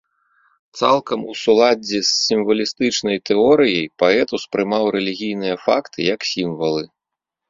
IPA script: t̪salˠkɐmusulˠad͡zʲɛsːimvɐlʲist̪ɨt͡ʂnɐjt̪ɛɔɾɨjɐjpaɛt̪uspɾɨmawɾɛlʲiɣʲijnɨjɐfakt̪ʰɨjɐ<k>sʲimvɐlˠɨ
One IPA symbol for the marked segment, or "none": k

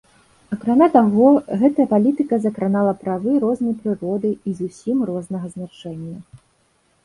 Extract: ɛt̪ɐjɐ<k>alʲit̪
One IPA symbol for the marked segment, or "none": p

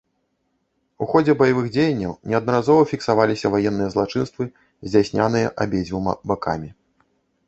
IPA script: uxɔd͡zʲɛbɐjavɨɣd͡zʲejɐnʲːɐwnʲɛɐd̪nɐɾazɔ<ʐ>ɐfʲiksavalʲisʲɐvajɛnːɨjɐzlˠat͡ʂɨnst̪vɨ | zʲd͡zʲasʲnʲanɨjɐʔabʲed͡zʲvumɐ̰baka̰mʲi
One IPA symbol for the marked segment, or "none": v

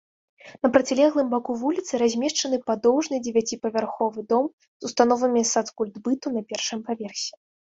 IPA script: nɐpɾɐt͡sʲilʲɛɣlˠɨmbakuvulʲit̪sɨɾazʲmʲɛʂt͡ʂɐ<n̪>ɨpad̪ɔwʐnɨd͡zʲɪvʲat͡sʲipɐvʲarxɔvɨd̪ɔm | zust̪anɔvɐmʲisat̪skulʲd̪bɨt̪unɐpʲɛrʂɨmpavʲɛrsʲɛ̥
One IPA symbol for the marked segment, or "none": n̪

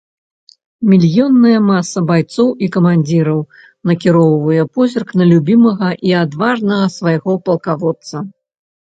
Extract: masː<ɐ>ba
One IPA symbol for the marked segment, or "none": ɐ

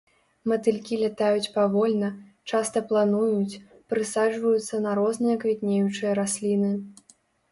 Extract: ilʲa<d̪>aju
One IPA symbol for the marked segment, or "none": t̪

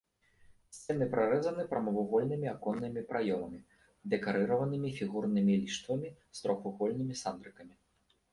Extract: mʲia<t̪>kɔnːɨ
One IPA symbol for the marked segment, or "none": none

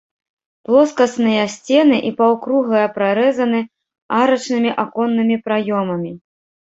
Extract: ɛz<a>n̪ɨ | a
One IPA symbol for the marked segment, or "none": ɐ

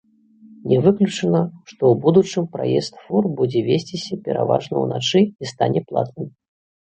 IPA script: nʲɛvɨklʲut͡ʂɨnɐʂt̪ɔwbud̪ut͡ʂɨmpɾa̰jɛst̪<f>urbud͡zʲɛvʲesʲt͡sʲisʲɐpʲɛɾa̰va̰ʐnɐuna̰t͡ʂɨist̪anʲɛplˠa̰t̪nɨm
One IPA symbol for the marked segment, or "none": f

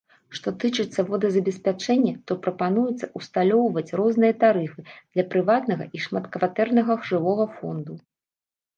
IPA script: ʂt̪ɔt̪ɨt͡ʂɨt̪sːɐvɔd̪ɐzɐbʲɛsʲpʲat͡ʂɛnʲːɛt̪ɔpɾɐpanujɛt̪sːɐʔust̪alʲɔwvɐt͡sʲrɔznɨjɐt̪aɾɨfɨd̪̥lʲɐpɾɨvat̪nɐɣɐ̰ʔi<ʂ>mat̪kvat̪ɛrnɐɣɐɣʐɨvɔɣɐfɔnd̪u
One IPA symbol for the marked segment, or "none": ʂ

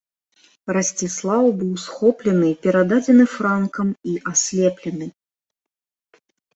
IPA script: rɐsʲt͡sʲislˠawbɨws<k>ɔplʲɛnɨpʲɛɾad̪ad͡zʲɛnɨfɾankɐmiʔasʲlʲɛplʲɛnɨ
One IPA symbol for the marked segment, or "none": x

